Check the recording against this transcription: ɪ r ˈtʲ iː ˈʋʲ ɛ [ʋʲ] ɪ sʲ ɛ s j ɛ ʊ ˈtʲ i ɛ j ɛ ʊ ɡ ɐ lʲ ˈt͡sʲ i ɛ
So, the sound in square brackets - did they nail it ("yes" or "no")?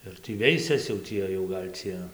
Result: no